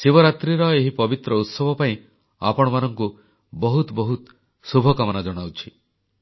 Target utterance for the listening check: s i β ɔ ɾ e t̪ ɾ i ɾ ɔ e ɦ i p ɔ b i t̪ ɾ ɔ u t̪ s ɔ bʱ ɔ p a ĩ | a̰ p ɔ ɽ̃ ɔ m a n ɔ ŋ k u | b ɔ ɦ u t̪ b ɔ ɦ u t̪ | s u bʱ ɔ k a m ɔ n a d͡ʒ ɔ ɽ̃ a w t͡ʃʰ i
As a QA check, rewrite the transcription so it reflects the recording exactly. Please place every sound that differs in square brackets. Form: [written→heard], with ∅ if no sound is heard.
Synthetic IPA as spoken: s i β ɔ ɾ [e→a] t̪ ɾ i ɾ ɔ e ɦ i p ɔ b i t̪ ɾ ɔ u t̪ s ɔ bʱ ɔ p a ĩ | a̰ p ɔ ɽ̃ ɔ m a n ɔ ŋ k u | b ɔ ɦ u t̪ b ɔ ɦ u t̪ | s u bʱ ɔ k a m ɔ n a d͡ʒ ɔ ɽ̃ a w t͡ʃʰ i